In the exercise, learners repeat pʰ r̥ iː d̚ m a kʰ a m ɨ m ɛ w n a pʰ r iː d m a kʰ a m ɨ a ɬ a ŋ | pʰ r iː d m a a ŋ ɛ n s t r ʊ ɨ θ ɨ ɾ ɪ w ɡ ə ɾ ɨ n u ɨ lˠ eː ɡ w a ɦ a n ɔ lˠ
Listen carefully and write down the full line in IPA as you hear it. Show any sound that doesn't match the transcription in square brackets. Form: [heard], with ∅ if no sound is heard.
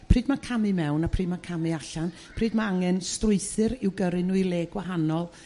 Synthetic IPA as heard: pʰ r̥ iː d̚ m a kʰ a m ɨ m ɛ w n a pʰ r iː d m a kʰ a m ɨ a ɬ a [n] | pʰ r iː d m a a ŋ ɛ n s t r ʊ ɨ θ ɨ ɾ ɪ w ɡ ə ɾ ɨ n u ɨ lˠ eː ɡ w a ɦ a n ɔ lˠ